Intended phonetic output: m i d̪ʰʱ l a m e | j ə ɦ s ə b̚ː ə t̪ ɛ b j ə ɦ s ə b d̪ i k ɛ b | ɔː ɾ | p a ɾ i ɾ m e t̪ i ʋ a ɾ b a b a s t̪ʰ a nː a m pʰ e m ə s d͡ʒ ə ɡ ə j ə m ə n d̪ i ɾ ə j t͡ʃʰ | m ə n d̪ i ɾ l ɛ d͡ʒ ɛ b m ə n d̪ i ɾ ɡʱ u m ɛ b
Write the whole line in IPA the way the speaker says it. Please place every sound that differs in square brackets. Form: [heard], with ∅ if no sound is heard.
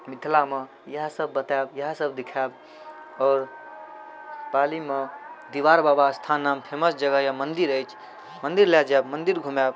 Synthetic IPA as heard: m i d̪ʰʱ l a m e | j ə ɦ s ə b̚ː ə t̪ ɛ b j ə ɦ s ə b d̪ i [kʰ] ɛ b | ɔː ɾ | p a [l] i [∅] m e [d̪] i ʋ a ɾ b a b a s t̪ʰ a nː a m pʰ e m ə s d͡ʒ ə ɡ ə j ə m ə n d̪ i ɾ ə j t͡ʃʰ | m ə n d̪ i ɾ l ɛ d͡ʒ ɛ b m ə n d̪ i ɾ ɡʱ u m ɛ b

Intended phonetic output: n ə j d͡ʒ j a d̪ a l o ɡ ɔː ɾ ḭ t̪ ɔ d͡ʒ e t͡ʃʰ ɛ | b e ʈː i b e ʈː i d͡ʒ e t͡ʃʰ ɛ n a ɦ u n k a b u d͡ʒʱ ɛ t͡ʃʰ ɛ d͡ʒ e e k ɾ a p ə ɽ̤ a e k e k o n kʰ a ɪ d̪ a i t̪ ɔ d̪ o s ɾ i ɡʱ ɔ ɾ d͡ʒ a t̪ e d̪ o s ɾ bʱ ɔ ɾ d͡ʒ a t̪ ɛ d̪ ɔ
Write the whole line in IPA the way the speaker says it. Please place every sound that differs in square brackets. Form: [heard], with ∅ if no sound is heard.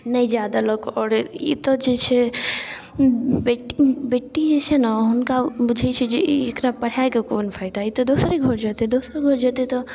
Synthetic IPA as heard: n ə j d͡ʒ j a d̪ a l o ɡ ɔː ɾ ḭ t̪ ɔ d͡ʒ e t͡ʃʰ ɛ | b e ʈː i b e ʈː i d͡ʒ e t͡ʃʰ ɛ n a ɦ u n k a b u d͡ʒʱ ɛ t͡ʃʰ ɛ d͡ʒ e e k ɾ a p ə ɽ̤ a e k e k o n [pʰ] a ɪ d̪ a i t̪ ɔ d̪ o s ɾ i ɡʱ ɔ ɾ d͡ʒ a t̪ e d̪ o s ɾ [ɡʱ] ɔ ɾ d͡ʒ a t̪ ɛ [t̪] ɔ

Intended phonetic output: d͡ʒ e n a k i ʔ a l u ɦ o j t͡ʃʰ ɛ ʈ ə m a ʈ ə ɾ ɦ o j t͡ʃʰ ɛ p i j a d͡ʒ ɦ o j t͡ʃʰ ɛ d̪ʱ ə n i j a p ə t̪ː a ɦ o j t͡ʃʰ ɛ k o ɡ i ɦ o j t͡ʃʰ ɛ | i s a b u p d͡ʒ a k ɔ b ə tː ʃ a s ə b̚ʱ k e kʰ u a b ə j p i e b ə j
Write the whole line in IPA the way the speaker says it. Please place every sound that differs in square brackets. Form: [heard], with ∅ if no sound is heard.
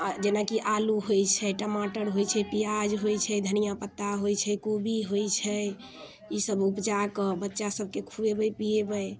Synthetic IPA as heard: d͡ʒ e n a k i ʔ a l u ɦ o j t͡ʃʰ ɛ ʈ ə m a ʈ ə ɾ ɦ o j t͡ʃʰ ɛ p i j a d͡ʒ ɦ o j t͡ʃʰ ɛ d̪ʱ ə n i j a p ə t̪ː a ɦ o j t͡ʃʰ ɛ k o [b] i ɦ o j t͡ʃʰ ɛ | i s [ə] b u p d͡ʒ a k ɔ b ə tː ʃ a s ə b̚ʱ k e kʰ u [e] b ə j p i e b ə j

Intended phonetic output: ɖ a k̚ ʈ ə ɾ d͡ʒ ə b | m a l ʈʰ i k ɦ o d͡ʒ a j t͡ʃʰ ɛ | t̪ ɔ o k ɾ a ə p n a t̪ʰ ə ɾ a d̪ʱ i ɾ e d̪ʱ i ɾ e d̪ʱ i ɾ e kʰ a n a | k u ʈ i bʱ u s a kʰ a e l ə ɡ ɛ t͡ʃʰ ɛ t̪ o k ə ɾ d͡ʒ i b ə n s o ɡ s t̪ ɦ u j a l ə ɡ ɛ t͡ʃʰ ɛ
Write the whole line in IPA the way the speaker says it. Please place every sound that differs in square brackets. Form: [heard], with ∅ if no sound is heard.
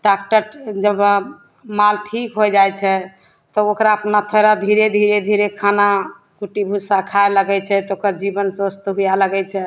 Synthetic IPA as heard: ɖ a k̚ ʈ ə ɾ d͡ʒ ə b | m a l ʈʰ i k ɦ o d͡ʒ a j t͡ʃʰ ɛ | t̪ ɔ o k ɾ a ə p n a t̪ʰ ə ɾ a d̪ʱ i ɾ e d̪ʱ i ɾ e d̪ʱ i ɾ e kʰ a n a | k u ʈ i bʱ u s a kʰ a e l ə ɡ ɛ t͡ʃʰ ɛ t̪ o k ə ɾ d͡ʒ i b ə n s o [∅] s t̪ ɦ u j a l ə ɡ ɛ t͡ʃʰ ɛ

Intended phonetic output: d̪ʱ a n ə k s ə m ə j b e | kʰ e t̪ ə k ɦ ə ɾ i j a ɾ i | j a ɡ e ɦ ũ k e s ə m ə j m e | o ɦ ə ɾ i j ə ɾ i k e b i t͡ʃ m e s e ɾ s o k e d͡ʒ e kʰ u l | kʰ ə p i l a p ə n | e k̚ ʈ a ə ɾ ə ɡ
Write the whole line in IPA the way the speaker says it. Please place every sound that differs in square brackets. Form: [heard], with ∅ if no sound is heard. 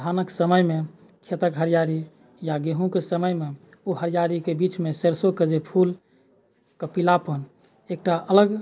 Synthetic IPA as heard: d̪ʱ a n ə k s ə m ə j [m] e | kʰ e t̪ ə k ɦ ə ɾ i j a ɾ i | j a ɡ e ɦ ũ k e s ə m ə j m e | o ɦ ə ɾ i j [a] ɾ i k e b i t͡ʃ m e s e ɾ s o k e d͡ʒ e [pʰ] u l | [k] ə p i l a p ə n | e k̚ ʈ a ə [l] ə ɡ

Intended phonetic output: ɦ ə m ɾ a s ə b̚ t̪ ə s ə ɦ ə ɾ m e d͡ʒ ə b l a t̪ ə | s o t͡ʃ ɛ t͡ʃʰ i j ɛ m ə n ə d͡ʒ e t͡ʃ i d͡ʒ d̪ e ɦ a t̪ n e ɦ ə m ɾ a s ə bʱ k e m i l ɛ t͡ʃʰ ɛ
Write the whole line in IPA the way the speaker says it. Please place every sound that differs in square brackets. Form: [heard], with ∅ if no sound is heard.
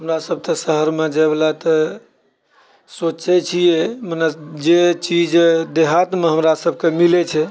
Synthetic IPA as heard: ɦ ə m ɾ a s ə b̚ t̪ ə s ə ɦ ə ɾ m e d͡ʒ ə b l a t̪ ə | s o t͡ʃ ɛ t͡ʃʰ i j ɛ m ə n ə d͡ʒ e t͡ʃ i d͡ʒ d̪ e ɦ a t̪ [m] e ɦ ə m ɾ a s ə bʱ k e m i l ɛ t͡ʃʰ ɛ

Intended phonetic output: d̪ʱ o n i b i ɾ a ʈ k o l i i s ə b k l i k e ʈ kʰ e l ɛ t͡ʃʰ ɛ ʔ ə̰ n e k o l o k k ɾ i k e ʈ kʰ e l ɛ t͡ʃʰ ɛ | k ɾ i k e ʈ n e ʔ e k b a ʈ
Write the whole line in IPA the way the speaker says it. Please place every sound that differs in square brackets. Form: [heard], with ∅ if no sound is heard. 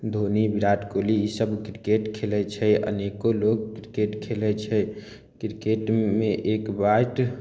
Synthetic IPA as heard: d̪ʱ o n i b i ɾ a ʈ k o l i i s ə b k [ɾ] i k e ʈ kʰ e l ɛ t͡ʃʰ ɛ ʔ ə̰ n e k o l o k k ɾ i k e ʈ kʰ e l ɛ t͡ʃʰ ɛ | k ɾ i k e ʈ [m] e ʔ e k b a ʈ

